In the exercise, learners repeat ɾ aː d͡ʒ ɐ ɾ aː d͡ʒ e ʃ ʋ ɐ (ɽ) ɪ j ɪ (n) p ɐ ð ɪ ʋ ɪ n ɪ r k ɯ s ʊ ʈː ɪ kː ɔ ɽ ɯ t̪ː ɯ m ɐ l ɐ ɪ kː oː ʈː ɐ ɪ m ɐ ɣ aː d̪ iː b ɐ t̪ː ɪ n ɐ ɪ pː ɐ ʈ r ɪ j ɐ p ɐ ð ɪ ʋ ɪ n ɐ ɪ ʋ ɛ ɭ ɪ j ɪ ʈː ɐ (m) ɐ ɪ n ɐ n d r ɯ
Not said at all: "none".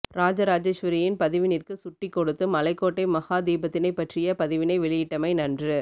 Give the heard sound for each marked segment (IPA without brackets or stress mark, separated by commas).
ɾ, n, m